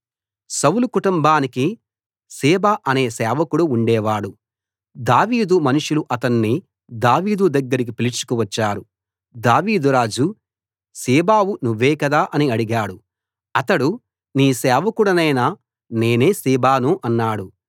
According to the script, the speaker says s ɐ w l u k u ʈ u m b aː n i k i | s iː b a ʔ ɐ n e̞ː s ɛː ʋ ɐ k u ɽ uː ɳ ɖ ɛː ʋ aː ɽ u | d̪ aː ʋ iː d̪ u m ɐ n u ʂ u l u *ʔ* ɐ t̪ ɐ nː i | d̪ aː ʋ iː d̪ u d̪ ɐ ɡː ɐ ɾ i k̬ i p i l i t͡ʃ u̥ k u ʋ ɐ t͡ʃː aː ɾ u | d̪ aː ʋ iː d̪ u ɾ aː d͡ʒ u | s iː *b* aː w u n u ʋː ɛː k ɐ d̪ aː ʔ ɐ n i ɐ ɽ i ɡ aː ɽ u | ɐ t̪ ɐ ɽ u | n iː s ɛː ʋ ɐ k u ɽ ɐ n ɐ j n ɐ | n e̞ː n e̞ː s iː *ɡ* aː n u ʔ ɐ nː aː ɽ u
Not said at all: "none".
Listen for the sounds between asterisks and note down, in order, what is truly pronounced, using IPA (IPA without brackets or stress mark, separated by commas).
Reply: ʔ, b, b